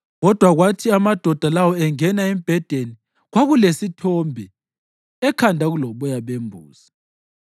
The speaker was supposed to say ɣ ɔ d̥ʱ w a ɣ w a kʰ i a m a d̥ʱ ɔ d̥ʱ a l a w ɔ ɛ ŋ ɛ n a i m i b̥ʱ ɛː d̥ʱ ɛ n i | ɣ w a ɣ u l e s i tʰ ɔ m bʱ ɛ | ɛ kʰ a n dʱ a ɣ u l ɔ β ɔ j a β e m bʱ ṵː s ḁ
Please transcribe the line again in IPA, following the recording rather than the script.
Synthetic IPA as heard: ɣ ɔ d̥ʱ w a ɣ w a tʰ i a m a d̥ʱ ɔ d̥ʱ a l a w ɔ ɛ ŋ ɛ n a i m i b̥ʱ ɛ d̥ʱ e n i | ɣ w a ɣ u l e s i tʰ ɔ m bʱ ɛ | ɛ kʰ a n dʱ a ɣ u l ɔ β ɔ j a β e m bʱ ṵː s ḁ